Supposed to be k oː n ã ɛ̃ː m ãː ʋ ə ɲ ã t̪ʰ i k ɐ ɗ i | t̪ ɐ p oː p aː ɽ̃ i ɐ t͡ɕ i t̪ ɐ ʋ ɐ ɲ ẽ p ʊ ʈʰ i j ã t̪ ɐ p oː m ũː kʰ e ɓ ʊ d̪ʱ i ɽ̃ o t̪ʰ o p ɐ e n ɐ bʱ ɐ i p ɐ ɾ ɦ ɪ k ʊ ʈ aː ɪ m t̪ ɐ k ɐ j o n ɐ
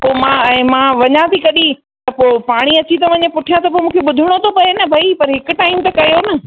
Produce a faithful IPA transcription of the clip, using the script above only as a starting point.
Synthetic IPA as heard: p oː m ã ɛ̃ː m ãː ʋ ɐ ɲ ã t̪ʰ i k ɐ ɗ i | t̪ ɐ p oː p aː ɽ̃ i ɐ t͡ɕ i t̪ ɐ ʋ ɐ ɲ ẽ p ʊ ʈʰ i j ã t̪ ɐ p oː m ũː kʰ e ɓ ʊ d̪ʱ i ɽ̃ o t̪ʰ o p ɐ e n ɐ bʱ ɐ i p ɐ ɾ ɦ ɪ k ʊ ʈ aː ɪ m t̪ ɐ k ɐ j o n ɐ